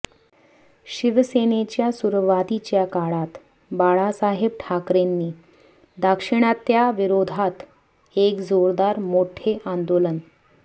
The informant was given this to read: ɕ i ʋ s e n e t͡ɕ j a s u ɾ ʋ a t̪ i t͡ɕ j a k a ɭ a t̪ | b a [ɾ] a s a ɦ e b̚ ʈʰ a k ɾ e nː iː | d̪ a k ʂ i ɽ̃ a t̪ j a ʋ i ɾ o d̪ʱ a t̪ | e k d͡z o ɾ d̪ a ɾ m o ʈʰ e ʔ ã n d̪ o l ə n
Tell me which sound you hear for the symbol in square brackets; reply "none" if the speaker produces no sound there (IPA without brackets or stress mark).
ɭ